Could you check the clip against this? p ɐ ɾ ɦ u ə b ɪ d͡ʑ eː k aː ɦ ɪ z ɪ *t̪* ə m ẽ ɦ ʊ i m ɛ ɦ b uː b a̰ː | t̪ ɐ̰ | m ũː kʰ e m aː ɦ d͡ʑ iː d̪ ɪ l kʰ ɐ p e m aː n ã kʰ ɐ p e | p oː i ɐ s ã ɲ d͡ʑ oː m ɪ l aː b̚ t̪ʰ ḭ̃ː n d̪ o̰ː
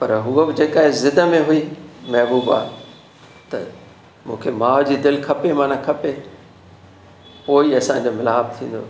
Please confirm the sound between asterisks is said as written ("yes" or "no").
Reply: no